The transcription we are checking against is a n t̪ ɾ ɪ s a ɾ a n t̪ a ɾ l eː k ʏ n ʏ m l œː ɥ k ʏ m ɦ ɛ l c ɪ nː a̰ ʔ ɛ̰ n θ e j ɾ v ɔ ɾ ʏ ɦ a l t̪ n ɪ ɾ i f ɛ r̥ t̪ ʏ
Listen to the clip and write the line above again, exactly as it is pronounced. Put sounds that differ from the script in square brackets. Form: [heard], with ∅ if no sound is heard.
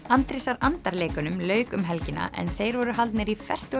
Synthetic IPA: a n t̪ ɾ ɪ s a ɾ a n t̪ a ɾ l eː k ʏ n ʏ m l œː ɥ k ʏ m ɦ ɛ l c ɪ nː a̰ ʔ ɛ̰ n θ e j ɾ v ɔ ɾ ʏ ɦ a l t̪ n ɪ ɾ i f ɛ r̥ t̪ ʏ

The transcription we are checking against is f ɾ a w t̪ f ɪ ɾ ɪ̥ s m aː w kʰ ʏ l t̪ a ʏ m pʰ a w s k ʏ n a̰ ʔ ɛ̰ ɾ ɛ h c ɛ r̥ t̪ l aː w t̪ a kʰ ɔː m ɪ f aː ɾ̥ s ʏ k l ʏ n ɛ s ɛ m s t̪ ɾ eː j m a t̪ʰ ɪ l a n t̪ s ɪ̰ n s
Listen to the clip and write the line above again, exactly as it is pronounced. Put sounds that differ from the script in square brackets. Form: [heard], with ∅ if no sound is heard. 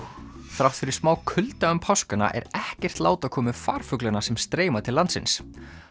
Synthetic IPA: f ɾ a w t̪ f ɪ ɾ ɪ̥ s m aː w kʰ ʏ l t̪ a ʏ m pʰ a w s k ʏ n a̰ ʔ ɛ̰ ɾ ɛ h c ɛ r̥ t̪ l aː w t̪ a kʰ ɔː m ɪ f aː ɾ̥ [f] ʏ k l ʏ n [a] s ɛ m s t̪ ɾ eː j m a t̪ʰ ɪ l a n t̪ s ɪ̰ n s

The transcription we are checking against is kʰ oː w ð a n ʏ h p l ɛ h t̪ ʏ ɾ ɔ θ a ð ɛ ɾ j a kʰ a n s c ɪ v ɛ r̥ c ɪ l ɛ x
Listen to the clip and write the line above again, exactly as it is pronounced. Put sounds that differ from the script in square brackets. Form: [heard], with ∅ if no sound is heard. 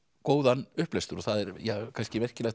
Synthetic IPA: [k] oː w ð a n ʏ h p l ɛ [s] t̪ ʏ ɾ ɔ θ a ð ɛ ɾ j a kʰ a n s c ɪ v ɛ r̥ c ɪ l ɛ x

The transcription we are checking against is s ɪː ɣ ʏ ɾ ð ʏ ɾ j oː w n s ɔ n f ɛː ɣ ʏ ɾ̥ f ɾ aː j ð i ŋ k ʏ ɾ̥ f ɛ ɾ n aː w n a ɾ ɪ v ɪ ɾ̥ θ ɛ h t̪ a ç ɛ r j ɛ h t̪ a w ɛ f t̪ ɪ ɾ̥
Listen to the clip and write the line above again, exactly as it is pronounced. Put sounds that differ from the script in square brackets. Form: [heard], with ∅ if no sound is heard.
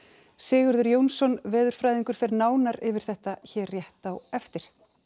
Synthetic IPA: s ɪː ɣ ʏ ɾ ð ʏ ɾ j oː w n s ɔ n [v] ɛː [ð] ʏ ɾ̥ f ɾ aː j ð i ŋ k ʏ ɾ̥ f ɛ ɾ n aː w n a ɾ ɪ v ɪ ɾ̥ θ ɛ h t̪ a ç ɛ r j ɛ h t̪ a w ɛ f t̪ ɪ ɾ̥

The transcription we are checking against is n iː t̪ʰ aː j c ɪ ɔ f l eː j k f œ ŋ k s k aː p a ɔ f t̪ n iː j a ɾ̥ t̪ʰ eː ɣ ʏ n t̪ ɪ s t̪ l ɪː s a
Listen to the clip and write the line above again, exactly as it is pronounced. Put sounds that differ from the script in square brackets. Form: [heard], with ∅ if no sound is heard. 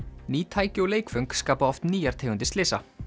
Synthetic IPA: n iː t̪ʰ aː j c ɪ ɔ [∅] l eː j k f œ ŋ k s k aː p a ɔ f t̪ n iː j a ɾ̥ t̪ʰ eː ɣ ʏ n t̪ ɪ s t̪ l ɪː s a

